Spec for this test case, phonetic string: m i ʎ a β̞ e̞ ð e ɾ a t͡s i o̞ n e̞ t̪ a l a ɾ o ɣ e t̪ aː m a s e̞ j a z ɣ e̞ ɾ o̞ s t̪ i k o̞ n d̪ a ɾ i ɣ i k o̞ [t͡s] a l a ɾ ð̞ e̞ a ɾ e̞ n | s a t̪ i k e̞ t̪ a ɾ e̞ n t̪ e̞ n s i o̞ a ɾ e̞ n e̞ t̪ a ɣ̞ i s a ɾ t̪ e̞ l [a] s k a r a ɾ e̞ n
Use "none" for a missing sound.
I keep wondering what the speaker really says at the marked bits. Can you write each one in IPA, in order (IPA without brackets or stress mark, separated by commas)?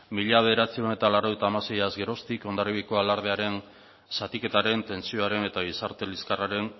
none, i